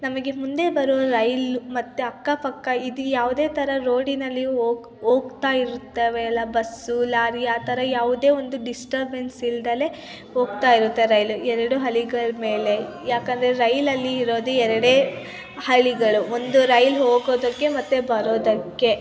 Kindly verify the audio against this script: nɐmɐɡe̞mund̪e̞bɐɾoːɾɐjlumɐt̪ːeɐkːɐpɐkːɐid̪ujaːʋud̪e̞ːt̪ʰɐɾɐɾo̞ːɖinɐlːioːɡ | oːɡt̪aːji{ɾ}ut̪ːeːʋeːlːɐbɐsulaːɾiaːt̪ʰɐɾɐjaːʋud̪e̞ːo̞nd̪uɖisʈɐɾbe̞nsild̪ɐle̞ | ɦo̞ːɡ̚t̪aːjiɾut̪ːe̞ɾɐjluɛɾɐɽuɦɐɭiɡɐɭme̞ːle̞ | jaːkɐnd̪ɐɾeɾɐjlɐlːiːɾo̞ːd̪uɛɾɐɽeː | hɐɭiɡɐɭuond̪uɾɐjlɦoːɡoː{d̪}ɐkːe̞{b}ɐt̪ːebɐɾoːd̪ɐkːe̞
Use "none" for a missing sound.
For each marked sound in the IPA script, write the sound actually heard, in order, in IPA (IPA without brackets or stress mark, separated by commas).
ɾ, d̪, m